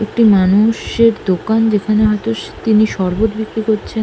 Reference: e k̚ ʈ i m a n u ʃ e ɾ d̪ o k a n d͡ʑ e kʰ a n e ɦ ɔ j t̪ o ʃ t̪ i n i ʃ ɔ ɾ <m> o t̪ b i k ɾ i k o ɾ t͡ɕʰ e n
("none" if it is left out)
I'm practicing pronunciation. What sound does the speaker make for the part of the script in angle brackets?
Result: b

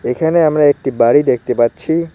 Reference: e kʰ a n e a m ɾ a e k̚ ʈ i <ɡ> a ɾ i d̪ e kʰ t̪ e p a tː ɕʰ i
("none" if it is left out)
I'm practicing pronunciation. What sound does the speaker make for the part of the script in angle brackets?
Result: b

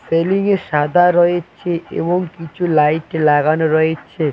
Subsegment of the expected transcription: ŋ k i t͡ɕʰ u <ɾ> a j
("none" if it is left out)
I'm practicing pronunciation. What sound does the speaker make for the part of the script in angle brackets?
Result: l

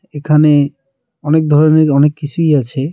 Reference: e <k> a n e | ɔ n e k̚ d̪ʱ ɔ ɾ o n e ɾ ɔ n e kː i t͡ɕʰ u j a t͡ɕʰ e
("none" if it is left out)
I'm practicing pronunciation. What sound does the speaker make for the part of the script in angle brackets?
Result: kʰ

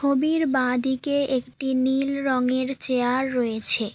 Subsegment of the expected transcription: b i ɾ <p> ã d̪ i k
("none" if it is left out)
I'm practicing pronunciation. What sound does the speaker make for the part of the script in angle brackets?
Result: b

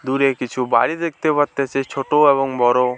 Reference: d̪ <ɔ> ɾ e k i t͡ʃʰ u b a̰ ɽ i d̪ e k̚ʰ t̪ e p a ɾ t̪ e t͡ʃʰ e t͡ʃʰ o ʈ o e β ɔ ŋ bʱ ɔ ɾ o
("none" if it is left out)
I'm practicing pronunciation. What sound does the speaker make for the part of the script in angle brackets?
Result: u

